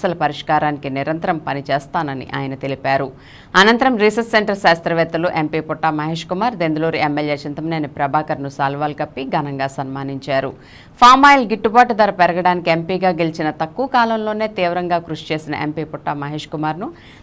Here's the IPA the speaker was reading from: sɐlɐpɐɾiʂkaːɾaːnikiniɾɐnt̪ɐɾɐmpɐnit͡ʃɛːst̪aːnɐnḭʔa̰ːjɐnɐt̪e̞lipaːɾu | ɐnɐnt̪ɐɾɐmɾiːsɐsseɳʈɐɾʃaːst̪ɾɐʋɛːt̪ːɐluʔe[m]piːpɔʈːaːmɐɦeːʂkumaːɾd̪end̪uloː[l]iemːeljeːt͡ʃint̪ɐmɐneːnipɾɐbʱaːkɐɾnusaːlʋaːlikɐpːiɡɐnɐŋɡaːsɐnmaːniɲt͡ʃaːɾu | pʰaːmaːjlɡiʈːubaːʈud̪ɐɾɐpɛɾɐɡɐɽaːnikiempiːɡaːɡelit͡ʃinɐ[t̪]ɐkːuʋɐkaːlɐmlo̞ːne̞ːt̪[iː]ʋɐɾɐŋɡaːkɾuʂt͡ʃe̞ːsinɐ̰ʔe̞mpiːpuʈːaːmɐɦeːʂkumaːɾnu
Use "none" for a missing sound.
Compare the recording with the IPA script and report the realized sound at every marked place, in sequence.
m, ɾ, t̪, iː

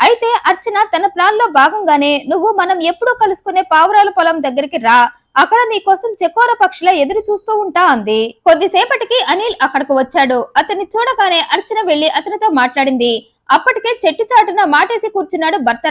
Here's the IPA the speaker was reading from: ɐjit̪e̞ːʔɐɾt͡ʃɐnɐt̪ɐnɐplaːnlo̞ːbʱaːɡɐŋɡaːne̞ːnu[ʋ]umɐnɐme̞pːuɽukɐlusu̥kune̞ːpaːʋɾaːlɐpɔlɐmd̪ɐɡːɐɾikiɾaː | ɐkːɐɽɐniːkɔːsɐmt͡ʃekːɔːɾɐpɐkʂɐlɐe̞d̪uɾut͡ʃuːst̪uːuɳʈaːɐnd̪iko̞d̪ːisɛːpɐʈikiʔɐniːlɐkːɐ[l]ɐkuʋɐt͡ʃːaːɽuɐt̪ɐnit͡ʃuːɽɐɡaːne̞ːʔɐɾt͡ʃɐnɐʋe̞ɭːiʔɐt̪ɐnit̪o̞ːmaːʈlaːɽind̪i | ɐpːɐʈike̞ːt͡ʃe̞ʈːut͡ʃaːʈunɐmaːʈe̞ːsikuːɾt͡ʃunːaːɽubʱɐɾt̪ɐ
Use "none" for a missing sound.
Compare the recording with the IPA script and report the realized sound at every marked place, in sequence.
ʋː, ɽ

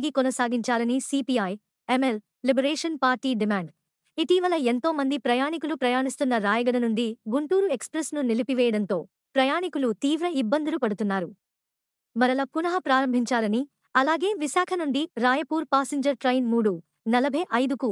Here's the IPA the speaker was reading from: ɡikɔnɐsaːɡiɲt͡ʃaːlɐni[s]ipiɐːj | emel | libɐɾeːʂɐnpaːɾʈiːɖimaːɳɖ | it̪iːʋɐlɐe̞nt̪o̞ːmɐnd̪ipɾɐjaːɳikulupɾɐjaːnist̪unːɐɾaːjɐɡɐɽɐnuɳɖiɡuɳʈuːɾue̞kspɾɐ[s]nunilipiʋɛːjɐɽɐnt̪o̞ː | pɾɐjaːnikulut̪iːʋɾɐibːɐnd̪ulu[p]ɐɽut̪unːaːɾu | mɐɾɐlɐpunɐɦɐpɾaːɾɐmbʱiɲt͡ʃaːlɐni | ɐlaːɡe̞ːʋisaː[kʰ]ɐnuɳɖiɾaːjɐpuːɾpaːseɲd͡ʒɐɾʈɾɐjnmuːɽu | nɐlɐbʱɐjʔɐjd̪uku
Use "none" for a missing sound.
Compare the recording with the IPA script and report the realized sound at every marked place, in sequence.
s, s, p, kʰ

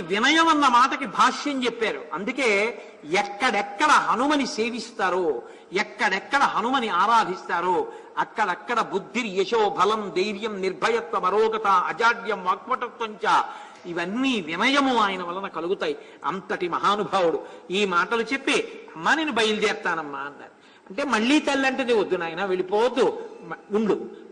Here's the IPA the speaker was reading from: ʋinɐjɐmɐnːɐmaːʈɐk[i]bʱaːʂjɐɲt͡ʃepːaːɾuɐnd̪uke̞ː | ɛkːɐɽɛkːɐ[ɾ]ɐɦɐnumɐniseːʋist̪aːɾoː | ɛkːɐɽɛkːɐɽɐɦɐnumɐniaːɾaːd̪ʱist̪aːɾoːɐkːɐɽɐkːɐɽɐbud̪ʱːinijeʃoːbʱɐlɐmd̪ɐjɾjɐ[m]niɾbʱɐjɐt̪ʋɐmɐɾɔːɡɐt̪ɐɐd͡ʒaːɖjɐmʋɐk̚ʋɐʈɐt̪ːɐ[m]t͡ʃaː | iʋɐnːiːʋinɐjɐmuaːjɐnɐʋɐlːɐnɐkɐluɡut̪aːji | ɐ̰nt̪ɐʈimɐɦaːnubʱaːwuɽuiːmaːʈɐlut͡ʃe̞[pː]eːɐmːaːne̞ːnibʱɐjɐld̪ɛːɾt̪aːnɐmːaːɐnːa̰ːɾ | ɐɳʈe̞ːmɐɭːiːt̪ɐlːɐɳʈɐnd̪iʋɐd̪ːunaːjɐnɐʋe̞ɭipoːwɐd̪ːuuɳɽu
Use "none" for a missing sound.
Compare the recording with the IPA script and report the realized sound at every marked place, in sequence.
i, ɽ, m, ɲ, pː

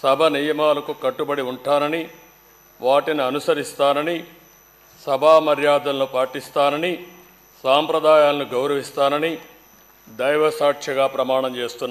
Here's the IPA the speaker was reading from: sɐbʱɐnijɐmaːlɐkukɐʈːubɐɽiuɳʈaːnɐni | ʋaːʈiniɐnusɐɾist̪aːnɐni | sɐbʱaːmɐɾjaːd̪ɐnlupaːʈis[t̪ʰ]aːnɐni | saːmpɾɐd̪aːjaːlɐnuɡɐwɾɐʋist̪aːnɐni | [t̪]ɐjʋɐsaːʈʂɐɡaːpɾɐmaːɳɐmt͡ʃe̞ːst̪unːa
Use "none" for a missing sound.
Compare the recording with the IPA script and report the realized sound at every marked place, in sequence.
t̪, d̪

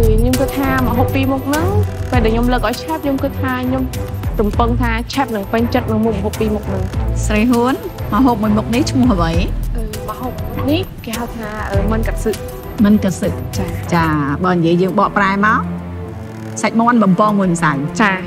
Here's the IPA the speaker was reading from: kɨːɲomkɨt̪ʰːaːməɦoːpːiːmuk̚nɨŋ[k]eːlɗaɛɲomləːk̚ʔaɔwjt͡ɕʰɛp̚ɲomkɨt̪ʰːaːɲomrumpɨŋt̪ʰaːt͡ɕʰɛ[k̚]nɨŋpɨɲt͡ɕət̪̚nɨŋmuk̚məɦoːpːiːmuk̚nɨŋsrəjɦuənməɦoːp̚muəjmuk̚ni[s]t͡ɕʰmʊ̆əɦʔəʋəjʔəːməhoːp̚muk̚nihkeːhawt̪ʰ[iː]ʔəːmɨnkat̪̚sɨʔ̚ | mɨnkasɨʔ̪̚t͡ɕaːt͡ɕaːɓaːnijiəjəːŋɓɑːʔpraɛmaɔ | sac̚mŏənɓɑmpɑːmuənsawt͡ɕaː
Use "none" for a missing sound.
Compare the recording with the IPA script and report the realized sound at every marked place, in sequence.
p, p̚, h, aː

